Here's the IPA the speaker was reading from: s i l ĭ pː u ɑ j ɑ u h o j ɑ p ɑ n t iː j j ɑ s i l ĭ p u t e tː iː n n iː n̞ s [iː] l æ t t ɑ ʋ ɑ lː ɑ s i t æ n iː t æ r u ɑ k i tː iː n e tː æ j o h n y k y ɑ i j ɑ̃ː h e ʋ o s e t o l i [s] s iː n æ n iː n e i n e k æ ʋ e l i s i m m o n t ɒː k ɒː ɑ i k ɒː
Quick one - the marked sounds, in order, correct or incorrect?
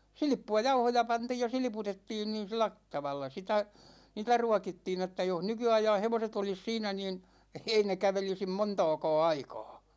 incorrect: i, correct

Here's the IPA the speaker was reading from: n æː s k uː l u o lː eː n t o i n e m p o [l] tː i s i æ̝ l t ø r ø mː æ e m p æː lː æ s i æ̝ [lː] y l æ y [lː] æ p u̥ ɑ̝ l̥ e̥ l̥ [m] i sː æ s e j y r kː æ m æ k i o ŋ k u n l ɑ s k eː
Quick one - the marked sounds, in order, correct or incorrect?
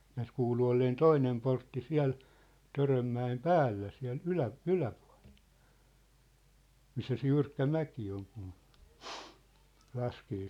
incorrect: r, incorrect: l, incorrect: l, correct

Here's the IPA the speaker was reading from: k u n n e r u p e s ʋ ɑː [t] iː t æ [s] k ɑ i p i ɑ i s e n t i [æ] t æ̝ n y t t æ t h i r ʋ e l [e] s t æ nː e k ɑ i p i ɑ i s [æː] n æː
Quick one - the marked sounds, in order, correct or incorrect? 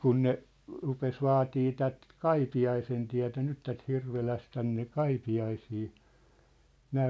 correct, incorrect: t, correct, incorrect: æ, incorrect: iː

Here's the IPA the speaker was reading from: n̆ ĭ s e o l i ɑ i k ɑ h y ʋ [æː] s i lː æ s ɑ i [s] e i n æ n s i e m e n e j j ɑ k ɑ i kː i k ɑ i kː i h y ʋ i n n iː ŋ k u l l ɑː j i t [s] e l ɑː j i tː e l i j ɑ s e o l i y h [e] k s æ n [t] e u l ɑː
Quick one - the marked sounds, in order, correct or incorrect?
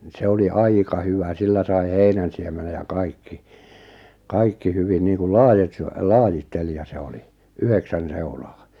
incorrect: æ, incorrect: h, correct, correct, incorrect: s

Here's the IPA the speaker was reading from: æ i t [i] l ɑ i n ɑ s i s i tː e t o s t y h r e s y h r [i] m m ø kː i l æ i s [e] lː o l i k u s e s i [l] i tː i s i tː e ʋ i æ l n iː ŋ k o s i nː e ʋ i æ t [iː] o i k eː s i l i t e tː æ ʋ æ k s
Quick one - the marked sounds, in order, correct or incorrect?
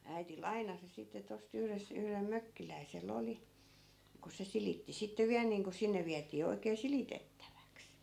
correct, incorrect: e, correct, correct, correct

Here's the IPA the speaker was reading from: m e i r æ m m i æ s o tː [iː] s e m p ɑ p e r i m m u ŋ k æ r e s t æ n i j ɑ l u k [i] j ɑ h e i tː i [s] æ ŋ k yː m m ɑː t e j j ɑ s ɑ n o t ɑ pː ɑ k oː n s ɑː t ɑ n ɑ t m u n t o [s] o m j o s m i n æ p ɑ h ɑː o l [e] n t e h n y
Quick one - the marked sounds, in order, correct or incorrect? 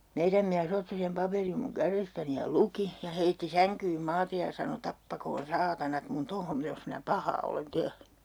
incorrect: i, correct, correct, incorrect: h, correct

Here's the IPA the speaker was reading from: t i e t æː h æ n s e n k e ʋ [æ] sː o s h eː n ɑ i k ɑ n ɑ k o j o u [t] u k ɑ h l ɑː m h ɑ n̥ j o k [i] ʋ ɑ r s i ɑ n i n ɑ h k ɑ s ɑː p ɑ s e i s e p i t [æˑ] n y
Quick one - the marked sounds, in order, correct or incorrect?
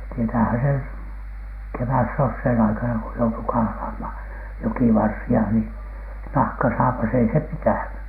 correct, correct, correct, correct

